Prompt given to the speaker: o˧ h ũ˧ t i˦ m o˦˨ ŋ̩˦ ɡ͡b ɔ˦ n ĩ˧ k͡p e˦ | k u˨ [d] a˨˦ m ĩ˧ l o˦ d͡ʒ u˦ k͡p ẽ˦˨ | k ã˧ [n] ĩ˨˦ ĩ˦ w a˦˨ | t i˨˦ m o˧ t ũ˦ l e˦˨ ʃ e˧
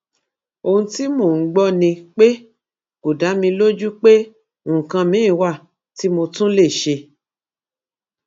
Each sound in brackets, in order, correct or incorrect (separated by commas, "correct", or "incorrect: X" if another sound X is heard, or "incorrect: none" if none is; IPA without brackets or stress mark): correct, incorrect: m